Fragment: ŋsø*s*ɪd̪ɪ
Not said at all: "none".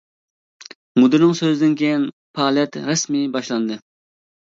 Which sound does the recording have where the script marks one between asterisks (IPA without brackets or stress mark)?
z